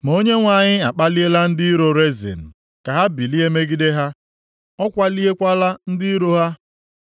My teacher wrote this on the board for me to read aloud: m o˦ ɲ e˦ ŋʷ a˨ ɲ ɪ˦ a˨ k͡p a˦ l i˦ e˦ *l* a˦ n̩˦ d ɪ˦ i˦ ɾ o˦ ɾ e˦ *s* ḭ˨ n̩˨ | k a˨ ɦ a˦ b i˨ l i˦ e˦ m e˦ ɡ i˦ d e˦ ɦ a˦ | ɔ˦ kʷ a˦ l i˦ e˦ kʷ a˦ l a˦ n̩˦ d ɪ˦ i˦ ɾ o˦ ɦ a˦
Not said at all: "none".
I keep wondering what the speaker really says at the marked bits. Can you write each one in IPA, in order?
l, z

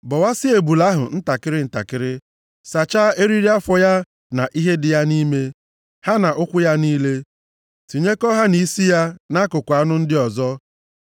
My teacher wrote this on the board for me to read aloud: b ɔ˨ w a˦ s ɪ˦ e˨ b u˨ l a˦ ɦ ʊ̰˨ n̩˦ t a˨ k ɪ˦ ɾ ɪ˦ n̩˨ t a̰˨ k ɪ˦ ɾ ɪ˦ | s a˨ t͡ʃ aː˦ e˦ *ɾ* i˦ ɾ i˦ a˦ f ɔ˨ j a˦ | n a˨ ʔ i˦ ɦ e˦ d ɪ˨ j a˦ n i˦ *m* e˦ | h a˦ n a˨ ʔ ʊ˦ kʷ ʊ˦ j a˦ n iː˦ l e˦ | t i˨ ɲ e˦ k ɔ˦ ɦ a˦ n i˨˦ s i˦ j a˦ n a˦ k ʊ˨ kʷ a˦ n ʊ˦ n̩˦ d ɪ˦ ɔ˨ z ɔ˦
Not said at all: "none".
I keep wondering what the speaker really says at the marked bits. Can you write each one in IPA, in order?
ɾ, m

